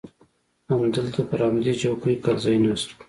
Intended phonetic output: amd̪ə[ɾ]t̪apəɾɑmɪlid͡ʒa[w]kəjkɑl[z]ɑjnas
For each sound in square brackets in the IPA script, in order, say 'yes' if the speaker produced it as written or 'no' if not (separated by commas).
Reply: no, yes, yes